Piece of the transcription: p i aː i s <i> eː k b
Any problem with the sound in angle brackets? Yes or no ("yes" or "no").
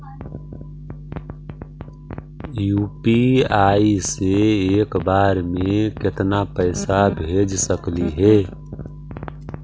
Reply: yes